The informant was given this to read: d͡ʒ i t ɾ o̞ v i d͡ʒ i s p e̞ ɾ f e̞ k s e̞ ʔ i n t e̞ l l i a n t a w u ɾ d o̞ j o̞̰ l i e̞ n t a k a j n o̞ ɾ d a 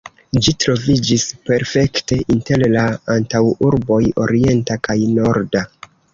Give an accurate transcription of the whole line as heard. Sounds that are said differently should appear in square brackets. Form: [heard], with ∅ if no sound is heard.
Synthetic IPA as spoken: d͡ʒ i t ɾ o̞ v i d͡ʒ i s p e̞ ɾ f e̞ k [t] e̞ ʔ i n t e̞ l l [a] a n t a w u ɾ [b] o̞ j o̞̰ [ɾ] i e̞ n t a k a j n o̞ ɾ d a